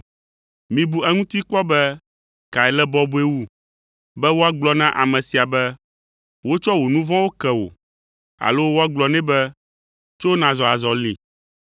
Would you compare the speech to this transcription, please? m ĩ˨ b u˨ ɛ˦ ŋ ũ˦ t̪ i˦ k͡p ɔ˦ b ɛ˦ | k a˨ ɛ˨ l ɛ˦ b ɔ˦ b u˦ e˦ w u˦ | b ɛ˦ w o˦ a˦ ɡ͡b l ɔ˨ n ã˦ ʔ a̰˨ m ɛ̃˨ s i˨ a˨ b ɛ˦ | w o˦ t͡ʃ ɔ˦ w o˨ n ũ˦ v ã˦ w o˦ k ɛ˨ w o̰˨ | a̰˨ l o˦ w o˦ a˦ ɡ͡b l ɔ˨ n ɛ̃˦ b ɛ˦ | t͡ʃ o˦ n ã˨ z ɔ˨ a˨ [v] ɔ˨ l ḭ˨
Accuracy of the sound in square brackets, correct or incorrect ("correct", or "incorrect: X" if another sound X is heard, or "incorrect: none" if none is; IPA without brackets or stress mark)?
incorrect: z